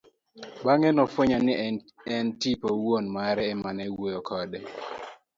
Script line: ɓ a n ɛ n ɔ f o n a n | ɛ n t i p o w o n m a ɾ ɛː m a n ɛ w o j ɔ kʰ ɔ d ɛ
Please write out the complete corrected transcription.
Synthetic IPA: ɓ a ŋ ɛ n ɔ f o ɲ a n | ɛ n t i p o w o n m a ɾ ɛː m a n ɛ w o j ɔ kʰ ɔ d ɛ